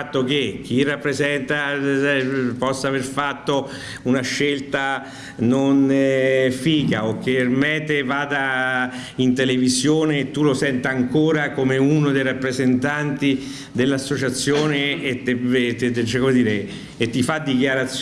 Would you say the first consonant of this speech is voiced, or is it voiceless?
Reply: voiceless